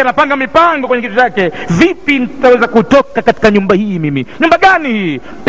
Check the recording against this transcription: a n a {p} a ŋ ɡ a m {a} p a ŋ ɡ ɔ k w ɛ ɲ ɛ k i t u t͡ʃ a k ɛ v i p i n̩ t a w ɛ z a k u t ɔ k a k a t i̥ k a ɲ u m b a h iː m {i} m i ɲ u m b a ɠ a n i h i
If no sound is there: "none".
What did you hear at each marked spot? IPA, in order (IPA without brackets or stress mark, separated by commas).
p, i, i